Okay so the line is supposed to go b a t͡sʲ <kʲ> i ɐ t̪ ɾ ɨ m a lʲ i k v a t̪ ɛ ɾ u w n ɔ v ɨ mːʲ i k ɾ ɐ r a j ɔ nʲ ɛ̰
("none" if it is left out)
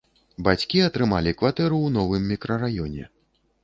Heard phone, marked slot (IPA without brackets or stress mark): kʲ